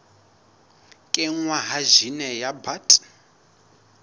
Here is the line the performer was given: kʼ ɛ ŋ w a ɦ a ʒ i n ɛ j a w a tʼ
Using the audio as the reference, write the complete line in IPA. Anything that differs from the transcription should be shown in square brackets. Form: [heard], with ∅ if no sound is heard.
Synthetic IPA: kʼ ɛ ŋ w a ɦ a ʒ i n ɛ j a [b] a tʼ